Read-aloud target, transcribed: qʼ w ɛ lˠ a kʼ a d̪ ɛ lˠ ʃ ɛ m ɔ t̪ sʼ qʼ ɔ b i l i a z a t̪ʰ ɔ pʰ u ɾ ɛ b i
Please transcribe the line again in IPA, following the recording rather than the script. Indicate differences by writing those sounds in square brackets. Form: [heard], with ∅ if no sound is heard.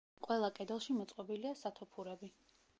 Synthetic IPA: qʼ w ɛ lˠ a kʼ [ɛ] d̪ ɛ lˠ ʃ [i] m ɔ t̪ sʼ qʼ ɔ b i l i a [s] a t̪ʰ ɔ pʰ u ɾ ɛ b i